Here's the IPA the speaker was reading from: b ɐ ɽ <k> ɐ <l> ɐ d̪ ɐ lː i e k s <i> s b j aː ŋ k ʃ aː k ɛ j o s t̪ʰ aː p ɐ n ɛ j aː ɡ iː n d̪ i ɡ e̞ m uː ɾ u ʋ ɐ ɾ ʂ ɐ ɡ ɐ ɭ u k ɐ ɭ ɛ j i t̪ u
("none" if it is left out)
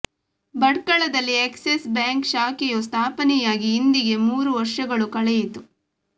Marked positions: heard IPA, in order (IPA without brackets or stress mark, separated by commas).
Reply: k, ɭ, e